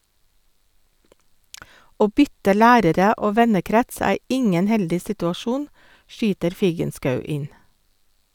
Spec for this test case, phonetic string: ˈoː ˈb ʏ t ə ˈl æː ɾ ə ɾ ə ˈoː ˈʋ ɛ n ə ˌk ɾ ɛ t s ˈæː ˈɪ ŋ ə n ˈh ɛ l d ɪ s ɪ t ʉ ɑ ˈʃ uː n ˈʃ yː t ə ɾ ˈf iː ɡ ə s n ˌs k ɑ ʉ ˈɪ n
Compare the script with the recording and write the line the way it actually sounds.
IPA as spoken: ˈoː ˈb ʏ t ə ˈl æː ɾ ə ɾ ə ˈoː ˈʋ ɛ n ə ˌk ɾ ɛ t s ˈæː ˈɪ ŋ ə n ˈh ɛ l d ɪ s ɪ t ʉ ɑ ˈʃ uː n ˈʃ yː t ə ɾ ˈf iː ɡ ə n ˌs k ɑ ʉ ˈɪ n